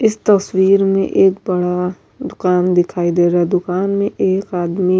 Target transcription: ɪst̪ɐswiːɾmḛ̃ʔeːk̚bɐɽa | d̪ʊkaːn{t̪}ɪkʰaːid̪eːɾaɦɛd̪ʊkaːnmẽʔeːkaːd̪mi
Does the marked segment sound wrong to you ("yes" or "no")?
yes